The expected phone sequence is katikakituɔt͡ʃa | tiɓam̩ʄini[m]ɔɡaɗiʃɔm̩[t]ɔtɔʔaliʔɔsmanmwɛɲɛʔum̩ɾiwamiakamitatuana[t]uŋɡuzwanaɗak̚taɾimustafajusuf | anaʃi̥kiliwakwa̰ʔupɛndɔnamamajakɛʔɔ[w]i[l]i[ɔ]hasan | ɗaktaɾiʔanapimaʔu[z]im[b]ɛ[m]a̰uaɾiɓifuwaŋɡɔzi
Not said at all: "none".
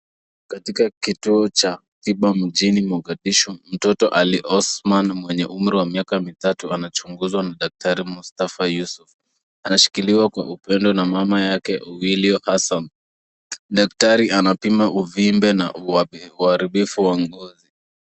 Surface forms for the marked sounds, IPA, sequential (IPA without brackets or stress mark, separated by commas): m, t, t͡ʃ, w, l, ɔ, v, b, n